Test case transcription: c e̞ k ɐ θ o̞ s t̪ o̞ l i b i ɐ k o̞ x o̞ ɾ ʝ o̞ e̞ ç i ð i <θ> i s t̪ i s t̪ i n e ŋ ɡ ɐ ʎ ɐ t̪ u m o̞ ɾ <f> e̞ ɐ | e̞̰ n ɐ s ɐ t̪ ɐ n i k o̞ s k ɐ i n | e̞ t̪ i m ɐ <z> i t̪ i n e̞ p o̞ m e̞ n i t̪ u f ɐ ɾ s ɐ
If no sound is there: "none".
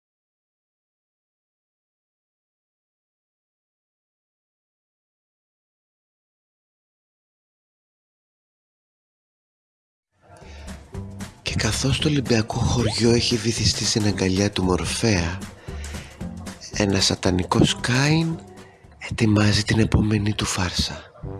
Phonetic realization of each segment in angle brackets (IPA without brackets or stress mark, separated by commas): θ, f, z